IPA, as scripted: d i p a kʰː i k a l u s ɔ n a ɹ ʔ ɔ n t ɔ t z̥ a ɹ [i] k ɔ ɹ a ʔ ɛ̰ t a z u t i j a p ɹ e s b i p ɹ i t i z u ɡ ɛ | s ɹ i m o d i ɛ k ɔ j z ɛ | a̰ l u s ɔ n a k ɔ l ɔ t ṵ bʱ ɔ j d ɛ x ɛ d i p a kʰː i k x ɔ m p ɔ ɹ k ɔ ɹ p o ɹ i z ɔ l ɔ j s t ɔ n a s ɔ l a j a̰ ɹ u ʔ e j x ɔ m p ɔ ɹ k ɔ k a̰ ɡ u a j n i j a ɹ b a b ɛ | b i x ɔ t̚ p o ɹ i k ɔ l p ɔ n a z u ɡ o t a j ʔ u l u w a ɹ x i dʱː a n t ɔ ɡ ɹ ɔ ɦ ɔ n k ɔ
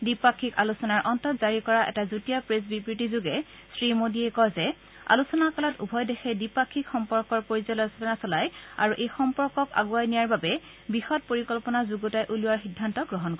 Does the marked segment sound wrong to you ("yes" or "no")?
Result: no